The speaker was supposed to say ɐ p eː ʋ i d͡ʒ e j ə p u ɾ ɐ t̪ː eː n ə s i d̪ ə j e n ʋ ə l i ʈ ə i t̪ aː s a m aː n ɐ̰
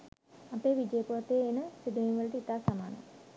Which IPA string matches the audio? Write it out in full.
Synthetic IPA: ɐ p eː ʋ i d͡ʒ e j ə p u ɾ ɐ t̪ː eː n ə s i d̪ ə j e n ʋ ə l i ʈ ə i t̪ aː s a m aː n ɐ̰